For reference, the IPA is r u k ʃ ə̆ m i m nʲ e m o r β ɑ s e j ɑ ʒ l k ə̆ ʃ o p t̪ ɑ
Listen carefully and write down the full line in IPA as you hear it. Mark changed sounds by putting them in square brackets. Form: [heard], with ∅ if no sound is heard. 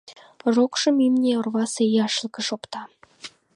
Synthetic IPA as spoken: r [o] k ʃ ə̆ m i m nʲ e [∅] o r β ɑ s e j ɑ [ʃ] l k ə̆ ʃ o p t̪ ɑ